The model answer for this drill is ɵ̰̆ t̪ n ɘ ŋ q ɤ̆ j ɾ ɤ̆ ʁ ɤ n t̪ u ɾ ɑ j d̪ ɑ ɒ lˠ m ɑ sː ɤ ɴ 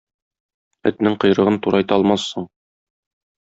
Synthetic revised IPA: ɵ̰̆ t̪ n ɘ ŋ q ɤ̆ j ɾ ɤ̆ ʁ ɤ n t̪ u ɾ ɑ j t̪ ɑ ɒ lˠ m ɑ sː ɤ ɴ